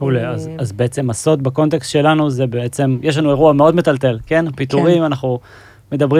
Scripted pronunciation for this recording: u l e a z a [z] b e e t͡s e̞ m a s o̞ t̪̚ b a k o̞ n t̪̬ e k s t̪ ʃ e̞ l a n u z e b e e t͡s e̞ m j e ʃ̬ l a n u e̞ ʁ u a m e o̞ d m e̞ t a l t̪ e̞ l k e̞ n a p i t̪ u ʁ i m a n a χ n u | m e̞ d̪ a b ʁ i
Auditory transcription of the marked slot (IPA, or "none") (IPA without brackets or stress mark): z